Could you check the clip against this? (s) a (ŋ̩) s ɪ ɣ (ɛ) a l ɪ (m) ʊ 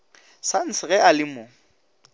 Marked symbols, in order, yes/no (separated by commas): yes, no, yes, yes